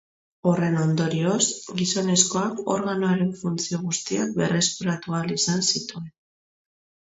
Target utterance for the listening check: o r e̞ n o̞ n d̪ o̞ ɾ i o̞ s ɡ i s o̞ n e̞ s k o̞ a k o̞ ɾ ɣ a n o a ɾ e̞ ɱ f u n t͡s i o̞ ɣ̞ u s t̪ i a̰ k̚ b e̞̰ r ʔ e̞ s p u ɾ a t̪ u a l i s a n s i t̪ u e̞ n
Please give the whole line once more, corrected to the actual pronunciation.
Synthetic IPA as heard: o r e̞ n o̞ n d̪ o̞ ɾ i o̞ s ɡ i s o̞ n e̞ s k o̞ a k o̞ ɾ ɣ a n o a ɾ e̞ ɱ f u n t͡s i o̞ ɣ̞ u s t̪ i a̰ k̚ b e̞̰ r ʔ e̞ s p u ɾ a t̪ u a l i s a n s i t̪ u e̞ n